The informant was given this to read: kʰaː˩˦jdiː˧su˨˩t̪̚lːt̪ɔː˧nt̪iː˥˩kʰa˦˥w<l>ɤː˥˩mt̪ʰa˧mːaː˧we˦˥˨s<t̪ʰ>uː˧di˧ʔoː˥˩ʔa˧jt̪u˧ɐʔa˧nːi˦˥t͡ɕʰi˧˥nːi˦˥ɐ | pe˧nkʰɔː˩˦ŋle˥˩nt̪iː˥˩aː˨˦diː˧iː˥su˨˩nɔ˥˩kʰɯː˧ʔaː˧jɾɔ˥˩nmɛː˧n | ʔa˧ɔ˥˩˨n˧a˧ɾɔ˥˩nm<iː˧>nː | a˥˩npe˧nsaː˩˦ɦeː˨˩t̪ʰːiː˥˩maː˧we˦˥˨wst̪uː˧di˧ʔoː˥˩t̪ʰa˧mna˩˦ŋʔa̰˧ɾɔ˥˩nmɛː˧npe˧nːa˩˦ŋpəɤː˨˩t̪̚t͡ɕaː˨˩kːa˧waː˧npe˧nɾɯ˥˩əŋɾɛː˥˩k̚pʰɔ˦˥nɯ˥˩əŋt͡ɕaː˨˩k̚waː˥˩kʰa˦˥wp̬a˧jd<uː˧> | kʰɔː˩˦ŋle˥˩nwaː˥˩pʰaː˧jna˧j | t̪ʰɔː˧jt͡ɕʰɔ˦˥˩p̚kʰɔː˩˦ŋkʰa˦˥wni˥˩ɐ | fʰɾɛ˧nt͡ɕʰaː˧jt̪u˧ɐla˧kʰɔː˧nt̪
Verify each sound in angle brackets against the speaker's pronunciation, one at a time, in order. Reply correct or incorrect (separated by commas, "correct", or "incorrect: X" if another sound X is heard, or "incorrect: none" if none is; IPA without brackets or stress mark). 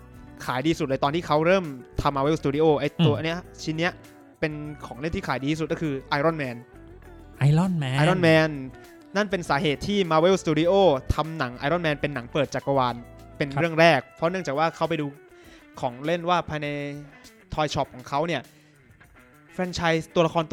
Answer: incorrect: ɾ, incorrect: t̪, incorrect: ɛː˧, correct